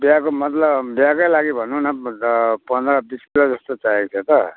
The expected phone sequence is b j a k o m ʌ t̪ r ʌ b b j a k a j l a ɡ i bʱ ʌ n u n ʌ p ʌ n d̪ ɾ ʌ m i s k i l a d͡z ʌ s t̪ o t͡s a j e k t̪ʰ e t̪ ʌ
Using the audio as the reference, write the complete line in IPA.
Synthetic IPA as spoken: b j a k o m ʌ t̪ l ʌ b b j a k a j l a ɡ i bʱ ʌ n u n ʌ p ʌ n d̪ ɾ ʌ b i s k i l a d͡z ʌ s t̪ o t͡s a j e k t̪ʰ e t̪ ʌ

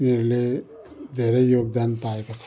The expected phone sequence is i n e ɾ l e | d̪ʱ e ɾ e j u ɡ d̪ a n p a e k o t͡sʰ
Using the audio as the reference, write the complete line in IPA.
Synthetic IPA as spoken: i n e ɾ l e | d̪ʱ e ɾ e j o ɡ d̪ a n p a e k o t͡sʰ

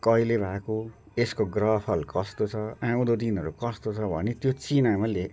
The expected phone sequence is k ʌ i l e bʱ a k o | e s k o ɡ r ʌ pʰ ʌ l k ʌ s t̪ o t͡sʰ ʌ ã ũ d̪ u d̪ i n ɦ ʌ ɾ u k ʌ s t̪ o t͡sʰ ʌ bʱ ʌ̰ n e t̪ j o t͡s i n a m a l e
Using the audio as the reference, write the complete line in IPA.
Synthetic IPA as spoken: k ʌ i l e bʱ a k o | e s k o ɡ r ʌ pʰ ʌ l k ʌ s t̪ o t͡sʰ ʌ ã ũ d̪ o d̪ i n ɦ ʌ ɾ u k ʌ s t̪ o t͡sʰ ʌ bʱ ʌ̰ n e t̪ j o t͡s i n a m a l e

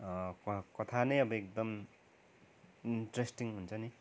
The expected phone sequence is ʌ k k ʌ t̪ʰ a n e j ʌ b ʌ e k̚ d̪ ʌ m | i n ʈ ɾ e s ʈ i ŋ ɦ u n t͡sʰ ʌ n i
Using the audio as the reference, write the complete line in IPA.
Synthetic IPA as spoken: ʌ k k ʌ t̪ʰ a n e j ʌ b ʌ e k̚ d̪ ʌ m | i n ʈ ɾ e s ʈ i ŋ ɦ u n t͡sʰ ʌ n i

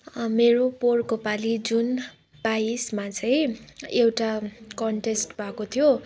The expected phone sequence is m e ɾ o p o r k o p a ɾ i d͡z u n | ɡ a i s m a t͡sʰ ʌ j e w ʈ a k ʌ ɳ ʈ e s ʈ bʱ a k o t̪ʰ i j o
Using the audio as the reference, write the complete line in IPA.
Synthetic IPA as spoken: m e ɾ o p o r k o p a l i d͡z u n | b a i s m a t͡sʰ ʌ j e w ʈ a k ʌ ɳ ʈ e s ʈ bʱ a k o t̪ʰ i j o

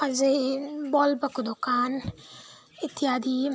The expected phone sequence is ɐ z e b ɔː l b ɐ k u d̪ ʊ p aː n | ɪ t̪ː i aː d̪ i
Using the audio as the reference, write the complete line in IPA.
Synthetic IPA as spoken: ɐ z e b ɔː l b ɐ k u d̪ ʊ k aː n | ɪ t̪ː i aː d̪ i

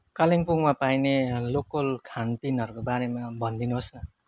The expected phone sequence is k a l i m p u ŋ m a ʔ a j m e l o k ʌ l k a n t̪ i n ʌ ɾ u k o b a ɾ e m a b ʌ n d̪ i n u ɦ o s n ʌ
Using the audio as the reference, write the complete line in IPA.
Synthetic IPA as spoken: k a l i ŋ p u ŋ m a p a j n e l o k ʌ l kʰ a n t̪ i n ʌ ɾ u k o b a ɾ e m a b ʌ n d̪ i n u ɦ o s n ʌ

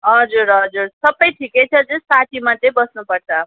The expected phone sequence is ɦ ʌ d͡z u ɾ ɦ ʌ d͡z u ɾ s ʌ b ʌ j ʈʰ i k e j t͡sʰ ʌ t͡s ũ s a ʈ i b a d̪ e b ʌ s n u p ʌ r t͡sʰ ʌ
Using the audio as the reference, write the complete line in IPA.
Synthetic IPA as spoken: ɦ ʌ d͡z u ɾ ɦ ʌ d͡z u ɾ s ʌ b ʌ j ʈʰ i k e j t͡sʰ ʌ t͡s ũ s a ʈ i m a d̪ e b ʌ s n u p ʌ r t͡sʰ ʌ

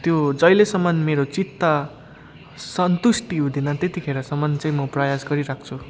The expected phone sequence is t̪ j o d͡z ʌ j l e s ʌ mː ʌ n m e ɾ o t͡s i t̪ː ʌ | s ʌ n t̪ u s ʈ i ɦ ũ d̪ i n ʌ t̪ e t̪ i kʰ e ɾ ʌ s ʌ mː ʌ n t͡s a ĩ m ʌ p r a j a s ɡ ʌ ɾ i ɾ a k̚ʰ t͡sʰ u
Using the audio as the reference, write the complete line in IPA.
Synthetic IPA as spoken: t̪ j o d͡z ʌ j l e s ʌ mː ʌ n m e ɾ o t͡s i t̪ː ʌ | s ʌ n t̪ u s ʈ i ɦ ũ d̪ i n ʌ t̪ e t̪ i kʰ e ɾ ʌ s ʌ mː ʌ n t͡s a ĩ m ʌ p r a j a s ɡ ʌ ɾ i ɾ a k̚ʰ t͡sʰ u

